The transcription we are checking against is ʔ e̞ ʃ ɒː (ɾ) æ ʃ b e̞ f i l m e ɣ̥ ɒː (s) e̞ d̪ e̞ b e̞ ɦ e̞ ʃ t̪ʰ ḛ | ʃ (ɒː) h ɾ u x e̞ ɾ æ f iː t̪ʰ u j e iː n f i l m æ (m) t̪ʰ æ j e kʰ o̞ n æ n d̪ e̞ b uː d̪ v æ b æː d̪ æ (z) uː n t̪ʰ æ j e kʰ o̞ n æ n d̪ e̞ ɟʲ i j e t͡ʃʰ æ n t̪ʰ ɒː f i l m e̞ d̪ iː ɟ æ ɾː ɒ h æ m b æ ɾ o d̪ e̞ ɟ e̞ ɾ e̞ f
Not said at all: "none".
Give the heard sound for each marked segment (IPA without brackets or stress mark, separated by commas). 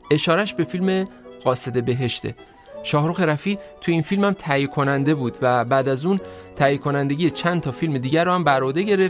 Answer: ɾ, s, ɒː, m, z